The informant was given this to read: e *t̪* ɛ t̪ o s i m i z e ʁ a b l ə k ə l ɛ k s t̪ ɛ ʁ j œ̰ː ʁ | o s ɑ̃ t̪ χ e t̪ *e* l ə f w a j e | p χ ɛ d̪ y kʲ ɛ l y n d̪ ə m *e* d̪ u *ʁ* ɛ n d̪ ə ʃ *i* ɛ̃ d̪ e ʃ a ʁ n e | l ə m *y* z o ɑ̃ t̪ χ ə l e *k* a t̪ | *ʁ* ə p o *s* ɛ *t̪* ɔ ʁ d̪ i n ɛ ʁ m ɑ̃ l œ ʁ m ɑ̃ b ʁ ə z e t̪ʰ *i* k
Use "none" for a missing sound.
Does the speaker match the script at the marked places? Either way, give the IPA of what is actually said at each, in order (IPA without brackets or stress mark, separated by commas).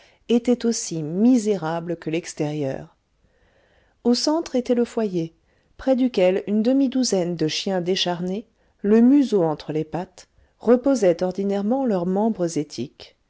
t̪, ɛ, i, z, j, y, p, ʁ, z, t̪, i